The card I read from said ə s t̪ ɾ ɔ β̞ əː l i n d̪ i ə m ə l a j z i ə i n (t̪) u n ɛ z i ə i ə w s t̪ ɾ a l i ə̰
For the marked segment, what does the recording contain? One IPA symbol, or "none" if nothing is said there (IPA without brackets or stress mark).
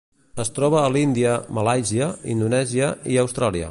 d̪